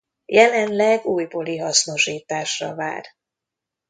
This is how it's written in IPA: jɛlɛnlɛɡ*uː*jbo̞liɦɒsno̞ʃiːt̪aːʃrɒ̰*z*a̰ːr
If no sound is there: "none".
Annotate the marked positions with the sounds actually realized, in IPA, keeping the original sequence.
uː, v

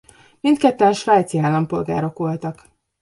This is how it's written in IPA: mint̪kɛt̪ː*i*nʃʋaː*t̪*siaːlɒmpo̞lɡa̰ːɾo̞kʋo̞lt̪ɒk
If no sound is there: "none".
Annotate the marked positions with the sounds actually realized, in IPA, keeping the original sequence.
ɛ, t̪

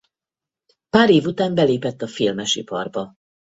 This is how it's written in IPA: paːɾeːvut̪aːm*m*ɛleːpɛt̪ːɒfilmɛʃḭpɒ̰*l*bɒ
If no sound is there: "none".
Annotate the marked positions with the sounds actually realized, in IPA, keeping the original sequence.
b, r

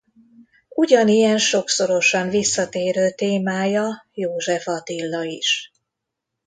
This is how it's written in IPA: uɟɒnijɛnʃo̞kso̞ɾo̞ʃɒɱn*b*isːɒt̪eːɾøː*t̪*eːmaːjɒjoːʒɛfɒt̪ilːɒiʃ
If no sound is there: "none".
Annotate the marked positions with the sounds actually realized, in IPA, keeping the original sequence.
v, t̪

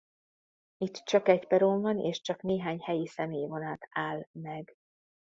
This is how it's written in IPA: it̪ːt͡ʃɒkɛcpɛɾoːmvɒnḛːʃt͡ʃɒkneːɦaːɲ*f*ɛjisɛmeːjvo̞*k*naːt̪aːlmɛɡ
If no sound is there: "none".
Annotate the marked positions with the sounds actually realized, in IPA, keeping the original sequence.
h, none

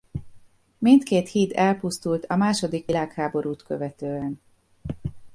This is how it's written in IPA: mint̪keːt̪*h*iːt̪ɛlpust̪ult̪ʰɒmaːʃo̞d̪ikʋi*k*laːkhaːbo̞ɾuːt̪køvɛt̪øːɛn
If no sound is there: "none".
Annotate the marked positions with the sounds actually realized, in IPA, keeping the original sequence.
h, none

